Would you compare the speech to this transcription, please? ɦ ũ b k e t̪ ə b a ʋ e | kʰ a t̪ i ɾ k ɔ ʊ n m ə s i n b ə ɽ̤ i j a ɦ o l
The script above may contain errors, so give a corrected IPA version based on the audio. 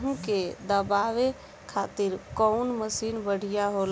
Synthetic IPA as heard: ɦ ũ k e d̪ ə b a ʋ e | kʰ a t̪ i ɾ k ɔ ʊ n m ə s i n b ə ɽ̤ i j a ɦ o l